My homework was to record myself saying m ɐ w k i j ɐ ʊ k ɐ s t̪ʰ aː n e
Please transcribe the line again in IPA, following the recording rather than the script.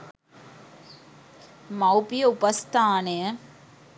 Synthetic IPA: m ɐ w p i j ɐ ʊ p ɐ s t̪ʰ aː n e